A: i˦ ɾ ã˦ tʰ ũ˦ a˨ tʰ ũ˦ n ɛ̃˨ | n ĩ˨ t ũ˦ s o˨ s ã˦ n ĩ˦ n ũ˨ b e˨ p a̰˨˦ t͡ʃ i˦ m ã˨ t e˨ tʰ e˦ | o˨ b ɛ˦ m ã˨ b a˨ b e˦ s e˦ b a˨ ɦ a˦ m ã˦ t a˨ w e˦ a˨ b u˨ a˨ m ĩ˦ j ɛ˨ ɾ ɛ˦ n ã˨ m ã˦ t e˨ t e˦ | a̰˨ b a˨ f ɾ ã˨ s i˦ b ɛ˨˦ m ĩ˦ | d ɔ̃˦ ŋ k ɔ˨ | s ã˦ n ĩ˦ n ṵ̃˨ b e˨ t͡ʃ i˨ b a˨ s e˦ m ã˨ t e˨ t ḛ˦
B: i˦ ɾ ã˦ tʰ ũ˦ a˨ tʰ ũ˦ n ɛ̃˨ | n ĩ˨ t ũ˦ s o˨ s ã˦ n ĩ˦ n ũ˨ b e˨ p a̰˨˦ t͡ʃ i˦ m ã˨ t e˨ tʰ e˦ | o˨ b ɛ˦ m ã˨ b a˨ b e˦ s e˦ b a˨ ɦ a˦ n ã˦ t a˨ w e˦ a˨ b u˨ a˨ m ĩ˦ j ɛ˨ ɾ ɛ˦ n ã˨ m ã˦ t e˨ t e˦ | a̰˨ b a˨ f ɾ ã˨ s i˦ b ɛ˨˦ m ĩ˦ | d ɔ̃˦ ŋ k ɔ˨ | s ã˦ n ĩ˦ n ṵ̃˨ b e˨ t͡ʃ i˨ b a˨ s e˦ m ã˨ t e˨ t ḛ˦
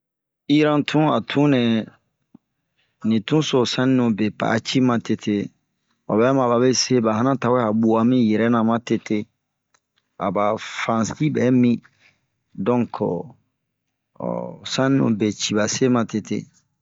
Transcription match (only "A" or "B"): B